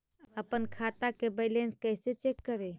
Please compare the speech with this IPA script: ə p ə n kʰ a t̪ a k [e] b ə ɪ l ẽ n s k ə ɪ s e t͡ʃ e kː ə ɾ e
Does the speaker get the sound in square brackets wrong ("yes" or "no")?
no